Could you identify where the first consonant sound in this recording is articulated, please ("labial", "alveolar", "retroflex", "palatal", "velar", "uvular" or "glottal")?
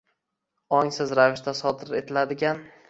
velar